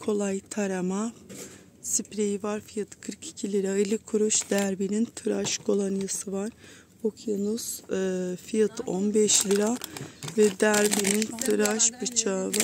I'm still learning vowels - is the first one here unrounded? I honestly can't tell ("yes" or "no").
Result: no